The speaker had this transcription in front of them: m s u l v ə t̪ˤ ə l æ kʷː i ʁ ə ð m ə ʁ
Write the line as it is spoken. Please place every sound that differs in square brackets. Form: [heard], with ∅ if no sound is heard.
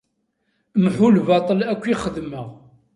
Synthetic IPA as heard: m [ħ] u l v [ɑ] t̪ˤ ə l æ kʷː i [χ] ə ð m ə ʁ